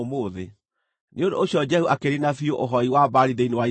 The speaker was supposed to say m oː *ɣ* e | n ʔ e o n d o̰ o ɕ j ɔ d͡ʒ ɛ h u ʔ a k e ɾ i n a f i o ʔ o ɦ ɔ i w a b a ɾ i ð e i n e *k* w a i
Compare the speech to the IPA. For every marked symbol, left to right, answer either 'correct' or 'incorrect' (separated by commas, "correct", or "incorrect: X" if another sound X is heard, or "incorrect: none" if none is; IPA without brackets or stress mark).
incorrect: ð, incorrect: none